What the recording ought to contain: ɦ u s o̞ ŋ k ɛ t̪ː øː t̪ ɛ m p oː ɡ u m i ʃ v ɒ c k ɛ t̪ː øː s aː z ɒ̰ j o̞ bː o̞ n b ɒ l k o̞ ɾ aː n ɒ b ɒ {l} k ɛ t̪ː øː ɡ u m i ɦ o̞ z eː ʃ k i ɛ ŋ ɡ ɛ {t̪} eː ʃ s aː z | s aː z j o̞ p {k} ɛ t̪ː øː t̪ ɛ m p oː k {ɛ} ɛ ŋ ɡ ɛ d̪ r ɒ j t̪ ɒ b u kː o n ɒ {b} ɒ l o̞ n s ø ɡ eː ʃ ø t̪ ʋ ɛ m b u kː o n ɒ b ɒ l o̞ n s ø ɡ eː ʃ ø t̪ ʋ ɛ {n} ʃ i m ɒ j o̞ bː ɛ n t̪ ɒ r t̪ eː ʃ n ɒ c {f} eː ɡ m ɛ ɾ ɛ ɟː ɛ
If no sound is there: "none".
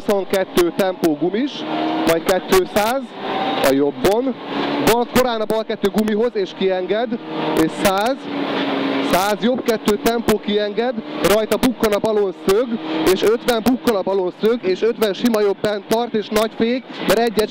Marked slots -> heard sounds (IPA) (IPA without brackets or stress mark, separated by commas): l, d̪, k, i, b, n, f